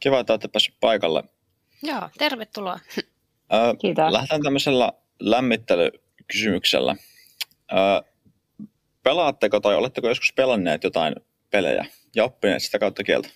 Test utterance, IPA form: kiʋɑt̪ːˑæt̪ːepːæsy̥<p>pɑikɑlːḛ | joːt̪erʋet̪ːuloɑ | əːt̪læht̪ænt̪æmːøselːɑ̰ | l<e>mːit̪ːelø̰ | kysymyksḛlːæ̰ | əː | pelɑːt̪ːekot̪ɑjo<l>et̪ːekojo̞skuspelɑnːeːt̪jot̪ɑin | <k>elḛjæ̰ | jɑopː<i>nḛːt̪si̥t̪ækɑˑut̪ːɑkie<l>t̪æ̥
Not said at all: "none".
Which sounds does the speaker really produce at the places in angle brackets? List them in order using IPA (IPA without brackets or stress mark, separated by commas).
p, æ, l, p, i, l